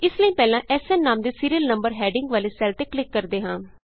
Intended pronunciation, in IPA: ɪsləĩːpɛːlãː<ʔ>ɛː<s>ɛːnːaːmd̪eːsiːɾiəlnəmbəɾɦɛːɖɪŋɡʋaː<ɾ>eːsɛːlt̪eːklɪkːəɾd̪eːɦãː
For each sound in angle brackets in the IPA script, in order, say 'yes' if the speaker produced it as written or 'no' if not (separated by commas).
yes, yes, no